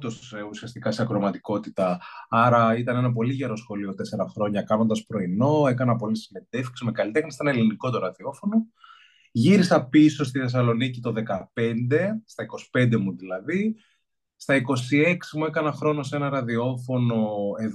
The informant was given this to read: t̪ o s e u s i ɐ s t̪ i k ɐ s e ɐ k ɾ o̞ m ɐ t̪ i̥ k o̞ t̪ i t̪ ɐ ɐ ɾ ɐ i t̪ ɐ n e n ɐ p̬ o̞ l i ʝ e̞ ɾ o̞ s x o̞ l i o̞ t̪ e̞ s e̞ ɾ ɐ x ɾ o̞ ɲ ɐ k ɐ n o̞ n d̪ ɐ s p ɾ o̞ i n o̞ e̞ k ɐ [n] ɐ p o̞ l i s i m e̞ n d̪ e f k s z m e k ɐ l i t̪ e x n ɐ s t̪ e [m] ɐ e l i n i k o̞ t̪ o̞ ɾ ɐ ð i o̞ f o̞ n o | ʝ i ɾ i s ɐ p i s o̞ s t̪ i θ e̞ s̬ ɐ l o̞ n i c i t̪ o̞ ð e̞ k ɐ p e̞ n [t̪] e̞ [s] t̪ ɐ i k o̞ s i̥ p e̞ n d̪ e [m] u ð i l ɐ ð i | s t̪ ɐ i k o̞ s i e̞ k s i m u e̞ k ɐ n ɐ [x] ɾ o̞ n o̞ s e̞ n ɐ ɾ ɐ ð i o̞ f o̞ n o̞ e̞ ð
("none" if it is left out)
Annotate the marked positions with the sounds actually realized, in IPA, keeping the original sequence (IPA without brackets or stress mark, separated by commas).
n, n, d̪, s, m, x